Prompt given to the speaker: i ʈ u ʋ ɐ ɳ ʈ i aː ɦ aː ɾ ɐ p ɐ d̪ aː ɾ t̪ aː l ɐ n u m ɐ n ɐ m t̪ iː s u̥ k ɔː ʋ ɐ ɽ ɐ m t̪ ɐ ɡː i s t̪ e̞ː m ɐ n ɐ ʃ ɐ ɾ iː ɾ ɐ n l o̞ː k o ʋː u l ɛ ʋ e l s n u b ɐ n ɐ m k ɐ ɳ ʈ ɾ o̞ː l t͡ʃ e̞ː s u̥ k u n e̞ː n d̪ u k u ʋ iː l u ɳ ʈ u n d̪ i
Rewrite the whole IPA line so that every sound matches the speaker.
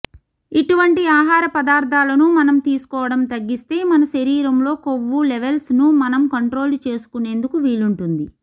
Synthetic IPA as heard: i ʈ u ʋ ɐ ɳ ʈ i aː ɦ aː ɾ ɐ p ɐ d̪ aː ɾ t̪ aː l ɐ n u m ɐ n ɐ m t̪ iː s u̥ k ɔː ʋ ɐ ɽ ɐ m t̪ ɐ ɡː i s t̪ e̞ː m ɐ n ɐ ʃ ɐ ɾ iː ɾ ɐ m l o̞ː k o ʋː u l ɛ ʋ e l s n u m ɐ n ɐ m k ɐ ɳ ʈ ɾ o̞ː l t͡ʃ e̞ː s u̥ k u n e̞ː n d̪ u k u ʋ iː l u ɳ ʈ u n d̪ i